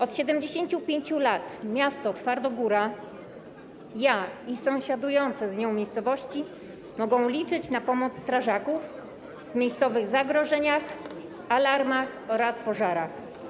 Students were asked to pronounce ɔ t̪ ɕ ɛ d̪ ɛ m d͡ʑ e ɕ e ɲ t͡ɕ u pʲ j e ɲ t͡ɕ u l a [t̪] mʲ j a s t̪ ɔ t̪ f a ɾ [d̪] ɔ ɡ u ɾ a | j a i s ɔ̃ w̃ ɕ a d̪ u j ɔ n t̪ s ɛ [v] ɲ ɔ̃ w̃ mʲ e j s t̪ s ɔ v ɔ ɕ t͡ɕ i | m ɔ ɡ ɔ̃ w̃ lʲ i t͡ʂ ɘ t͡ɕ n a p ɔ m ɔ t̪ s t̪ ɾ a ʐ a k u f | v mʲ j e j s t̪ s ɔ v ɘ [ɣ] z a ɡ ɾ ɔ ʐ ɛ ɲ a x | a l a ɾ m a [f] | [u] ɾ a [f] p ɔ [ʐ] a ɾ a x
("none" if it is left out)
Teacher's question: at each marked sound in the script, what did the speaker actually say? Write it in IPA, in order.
t̪, d̪, z, ɣ, x, ɔ, s, ʐ

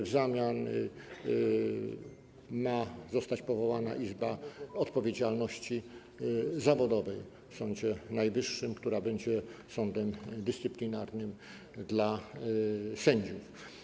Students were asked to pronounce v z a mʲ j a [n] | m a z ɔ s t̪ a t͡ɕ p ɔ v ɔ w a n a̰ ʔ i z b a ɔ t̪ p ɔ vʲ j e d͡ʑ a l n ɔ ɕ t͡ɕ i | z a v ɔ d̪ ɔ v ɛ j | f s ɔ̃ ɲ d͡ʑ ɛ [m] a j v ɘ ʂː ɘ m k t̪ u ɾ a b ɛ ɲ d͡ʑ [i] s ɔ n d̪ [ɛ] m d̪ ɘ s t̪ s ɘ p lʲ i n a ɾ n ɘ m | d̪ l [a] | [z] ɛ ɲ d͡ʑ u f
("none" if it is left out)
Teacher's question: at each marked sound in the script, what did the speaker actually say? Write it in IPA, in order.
n, n, ɛ, ɛ, a, s

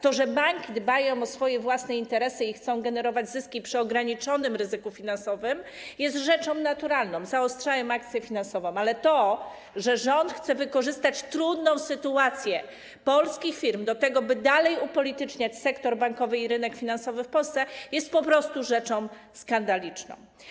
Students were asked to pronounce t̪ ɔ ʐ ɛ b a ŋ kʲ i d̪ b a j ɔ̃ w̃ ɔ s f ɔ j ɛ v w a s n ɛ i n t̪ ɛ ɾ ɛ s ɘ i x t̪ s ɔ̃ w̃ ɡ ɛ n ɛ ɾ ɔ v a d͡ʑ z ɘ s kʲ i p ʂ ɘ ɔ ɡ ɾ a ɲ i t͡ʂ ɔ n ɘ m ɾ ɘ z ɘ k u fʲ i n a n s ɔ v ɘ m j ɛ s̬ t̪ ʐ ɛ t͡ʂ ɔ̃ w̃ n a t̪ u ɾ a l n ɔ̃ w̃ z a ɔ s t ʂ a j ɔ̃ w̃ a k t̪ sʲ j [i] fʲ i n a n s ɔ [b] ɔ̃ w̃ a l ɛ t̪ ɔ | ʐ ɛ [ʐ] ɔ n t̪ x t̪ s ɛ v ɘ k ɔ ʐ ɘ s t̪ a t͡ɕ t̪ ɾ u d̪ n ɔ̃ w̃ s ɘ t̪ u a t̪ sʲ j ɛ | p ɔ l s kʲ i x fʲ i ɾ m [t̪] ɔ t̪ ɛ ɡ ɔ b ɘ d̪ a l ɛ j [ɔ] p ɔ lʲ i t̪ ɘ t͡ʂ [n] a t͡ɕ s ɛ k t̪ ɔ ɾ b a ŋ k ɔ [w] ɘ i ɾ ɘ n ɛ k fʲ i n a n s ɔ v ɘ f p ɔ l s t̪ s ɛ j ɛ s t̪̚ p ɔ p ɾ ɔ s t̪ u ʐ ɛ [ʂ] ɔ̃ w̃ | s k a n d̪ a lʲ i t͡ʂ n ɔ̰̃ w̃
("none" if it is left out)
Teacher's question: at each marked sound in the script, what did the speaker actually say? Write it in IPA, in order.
ɛ, v, ʐ, d̪, u, ɲ, v, t͡ʂ

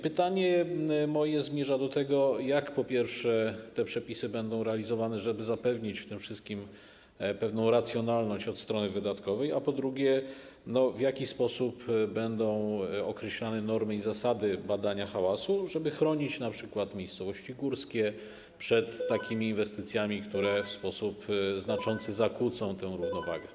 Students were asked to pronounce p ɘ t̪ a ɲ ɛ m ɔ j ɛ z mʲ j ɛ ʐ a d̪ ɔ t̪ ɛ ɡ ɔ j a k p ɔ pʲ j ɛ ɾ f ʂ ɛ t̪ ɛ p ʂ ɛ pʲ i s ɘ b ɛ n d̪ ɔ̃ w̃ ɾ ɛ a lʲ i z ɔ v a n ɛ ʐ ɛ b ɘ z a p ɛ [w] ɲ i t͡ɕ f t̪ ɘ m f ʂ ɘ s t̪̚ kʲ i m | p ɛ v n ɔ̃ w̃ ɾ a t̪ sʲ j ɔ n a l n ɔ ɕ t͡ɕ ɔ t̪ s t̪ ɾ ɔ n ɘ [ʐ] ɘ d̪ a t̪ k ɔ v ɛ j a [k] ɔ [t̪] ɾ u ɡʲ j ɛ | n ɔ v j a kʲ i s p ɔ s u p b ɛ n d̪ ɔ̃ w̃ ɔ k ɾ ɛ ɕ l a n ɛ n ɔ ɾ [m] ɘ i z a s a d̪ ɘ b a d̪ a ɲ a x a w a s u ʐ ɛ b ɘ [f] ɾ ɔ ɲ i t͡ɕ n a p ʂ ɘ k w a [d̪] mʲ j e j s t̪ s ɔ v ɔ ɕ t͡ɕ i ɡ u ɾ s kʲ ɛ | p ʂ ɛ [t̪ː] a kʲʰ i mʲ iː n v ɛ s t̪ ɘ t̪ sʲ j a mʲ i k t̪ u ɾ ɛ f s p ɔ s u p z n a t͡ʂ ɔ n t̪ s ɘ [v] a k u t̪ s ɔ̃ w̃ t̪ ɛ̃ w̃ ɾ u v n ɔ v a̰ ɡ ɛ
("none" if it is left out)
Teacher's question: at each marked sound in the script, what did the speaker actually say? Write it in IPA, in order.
v, v, p, d̪, m, x, t̪, t̪ː, z

